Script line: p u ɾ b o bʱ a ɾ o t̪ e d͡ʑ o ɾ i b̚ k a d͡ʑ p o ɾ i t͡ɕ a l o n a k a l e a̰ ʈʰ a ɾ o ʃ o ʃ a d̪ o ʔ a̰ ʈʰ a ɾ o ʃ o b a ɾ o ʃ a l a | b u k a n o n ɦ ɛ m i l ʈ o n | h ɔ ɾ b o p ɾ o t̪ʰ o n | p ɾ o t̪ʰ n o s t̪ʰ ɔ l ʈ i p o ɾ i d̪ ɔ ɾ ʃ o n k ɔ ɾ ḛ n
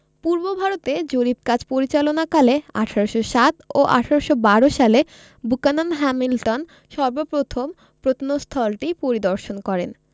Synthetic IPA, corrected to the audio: p u ɾ b o bʱ a ɾ o t̪ e d͡ʑ o ɾ i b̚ k a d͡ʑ p o ɾ i t͡ɕ a l o n a k a l e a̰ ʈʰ a ɾ o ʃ o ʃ a t̪ o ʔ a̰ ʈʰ a ɾ o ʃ o b a ɾ o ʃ a l e | b u k a n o n ɦ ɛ m i l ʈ o n | ʃ ɔ ɾ b o p ɾ o t̪ʰ o m | p ɾ o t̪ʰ n o s t̪ʰ ɔ l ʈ i p o ɾ i d̪ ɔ ɾ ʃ o n k ɔ ɾ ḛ n